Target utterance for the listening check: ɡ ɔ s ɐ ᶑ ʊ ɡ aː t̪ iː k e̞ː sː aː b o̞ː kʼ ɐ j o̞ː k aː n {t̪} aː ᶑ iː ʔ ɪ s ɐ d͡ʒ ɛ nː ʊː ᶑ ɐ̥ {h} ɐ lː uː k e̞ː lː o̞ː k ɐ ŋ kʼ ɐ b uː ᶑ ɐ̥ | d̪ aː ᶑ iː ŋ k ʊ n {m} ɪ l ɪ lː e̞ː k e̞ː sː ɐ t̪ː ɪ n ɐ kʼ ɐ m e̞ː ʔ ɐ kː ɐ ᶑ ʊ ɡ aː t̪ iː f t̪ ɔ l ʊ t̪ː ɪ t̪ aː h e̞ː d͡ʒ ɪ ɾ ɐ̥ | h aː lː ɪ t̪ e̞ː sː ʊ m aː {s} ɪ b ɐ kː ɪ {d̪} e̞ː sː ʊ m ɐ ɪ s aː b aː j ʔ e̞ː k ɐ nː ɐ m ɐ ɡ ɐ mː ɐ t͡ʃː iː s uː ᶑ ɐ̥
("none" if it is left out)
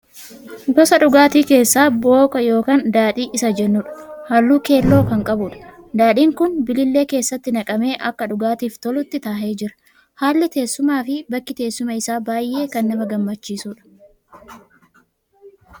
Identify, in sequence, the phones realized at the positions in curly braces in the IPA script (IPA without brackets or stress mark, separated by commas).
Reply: d̪, h, b, f, t̪